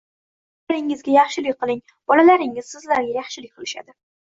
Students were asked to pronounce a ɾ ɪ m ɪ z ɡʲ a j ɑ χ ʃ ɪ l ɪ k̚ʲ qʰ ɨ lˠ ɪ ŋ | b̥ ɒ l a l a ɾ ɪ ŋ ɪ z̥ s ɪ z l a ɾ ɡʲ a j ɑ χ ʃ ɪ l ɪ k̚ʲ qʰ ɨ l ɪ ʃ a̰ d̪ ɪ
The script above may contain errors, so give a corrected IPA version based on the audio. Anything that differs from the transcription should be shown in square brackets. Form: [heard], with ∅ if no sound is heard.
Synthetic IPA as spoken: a ɾ ɪ [ŋ] ɪ z ɡʲ a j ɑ χ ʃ ɪ l ɪ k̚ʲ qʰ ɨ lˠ ɪ ŋ | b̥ ɒ l a l a ɾ ɪ ŋ ɪ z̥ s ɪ z l a ɾ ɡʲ a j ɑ χ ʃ ɪ l ɪ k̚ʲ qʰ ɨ l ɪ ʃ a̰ d̪ ɪ